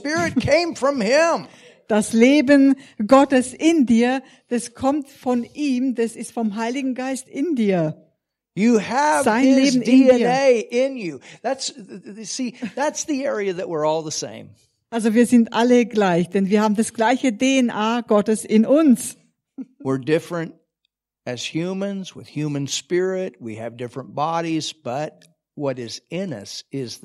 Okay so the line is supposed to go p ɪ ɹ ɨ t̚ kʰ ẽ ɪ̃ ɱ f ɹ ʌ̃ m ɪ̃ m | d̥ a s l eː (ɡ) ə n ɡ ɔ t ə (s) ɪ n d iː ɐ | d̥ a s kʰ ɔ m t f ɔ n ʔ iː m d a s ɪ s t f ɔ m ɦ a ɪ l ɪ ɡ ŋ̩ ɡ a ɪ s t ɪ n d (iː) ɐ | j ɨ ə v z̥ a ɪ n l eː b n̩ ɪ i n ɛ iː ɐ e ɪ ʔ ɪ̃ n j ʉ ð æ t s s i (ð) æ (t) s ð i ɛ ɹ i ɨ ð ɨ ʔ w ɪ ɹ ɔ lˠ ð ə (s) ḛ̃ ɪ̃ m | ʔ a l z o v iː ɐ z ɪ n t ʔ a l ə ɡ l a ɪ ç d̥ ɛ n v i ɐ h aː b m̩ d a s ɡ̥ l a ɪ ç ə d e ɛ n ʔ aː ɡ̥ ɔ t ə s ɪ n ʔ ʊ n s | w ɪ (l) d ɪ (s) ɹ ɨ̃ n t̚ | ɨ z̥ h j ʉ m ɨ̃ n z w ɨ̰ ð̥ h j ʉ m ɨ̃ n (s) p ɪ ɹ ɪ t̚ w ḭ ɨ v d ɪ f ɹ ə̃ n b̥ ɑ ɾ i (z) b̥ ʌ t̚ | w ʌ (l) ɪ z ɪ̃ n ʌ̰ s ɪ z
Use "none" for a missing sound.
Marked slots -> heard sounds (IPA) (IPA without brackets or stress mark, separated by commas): b, s, iː, ð, t, s, ɹ, f, s, z, ɾ